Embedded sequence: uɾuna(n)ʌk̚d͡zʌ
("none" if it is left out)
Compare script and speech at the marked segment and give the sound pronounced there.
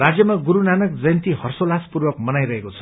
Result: n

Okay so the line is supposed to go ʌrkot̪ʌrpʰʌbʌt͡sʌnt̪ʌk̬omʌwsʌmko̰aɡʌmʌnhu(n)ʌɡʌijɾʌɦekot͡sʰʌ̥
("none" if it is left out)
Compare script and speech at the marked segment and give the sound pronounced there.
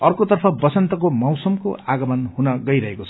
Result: n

